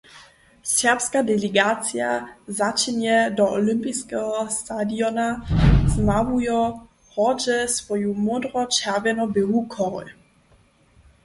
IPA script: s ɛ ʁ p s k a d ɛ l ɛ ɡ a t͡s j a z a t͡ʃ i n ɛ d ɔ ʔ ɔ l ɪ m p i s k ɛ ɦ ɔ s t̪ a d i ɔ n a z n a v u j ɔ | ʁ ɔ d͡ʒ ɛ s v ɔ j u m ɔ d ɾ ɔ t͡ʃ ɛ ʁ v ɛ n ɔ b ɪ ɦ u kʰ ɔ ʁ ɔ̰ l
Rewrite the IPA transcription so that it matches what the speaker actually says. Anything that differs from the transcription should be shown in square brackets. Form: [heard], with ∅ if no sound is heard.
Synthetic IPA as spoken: s ɛ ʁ p s k a d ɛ l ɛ ɡ a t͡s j a z a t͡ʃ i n ɛ d ɔ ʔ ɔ l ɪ m p i s k ɛ ɦ ɔ s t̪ a d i ɔ n a z n a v u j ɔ | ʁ ɔ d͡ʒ ɛ s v ɔ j u m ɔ d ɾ ɔ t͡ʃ ɛ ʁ v ɛ n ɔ b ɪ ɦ u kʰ ɔ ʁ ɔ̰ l